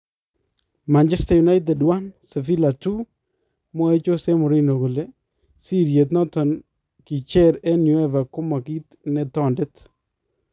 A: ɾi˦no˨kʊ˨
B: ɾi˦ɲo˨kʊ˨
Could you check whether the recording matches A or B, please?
A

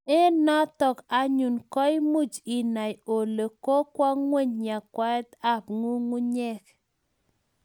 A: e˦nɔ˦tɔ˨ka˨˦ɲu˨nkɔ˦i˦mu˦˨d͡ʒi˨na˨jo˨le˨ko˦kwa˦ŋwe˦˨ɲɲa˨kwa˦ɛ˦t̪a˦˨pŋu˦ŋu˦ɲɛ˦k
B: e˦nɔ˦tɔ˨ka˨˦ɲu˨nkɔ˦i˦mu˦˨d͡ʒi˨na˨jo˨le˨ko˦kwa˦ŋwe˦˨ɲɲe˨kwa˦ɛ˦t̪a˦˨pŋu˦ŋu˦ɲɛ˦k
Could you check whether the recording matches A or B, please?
A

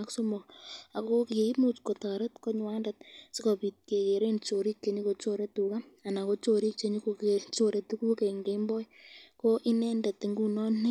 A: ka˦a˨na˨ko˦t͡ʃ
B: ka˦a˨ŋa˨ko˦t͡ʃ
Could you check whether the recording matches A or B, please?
A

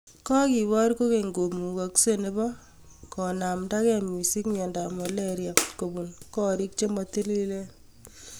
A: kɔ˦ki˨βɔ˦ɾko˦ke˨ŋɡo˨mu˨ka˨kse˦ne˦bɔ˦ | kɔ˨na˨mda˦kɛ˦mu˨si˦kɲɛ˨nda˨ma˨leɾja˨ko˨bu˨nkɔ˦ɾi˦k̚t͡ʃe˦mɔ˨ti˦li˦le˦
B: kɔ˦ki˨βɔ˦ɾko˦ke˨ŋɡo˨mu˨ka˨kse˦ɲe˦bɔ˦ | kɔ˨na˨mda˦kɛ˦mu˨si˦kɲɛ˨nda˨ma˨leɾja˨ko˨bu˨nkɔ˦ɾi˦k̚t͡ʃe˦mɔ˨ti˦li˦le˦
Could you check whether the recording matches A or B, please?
A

